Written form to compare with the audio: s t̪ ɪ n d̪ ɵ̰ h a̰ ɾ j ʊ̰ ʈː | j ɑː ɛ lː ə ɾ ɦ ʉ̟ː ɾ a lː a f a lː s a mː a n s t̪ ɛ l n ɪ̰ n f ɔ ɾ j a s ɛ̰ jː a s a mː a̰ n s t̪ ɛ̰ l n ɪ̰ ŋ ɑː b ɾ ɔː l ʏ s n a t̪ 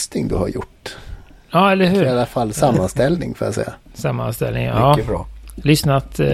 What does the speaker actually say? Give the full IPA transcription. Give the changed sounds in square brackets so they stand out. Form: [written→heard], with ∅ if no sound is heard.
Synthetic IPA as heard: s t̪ ɪ [n→ŋ] d̪ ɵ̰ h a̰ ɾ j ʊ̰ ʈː | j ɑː ɛ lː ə ɾ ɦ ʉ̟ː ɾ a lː a f a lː s a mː a n s t̪ ɛ l n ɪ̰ [n→ŋ] f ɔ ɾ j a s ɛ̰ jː a s a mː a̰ n s t̪ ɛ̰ l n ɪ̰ ŋ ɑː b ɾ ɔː l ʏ s n a t̪